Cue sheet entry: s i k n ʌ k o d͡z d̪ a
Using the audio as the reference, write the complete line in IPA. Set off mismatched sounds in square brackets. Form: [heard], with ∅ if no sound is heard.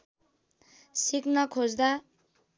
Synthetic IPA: s i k n ʌ [kʰ] o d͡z d̪ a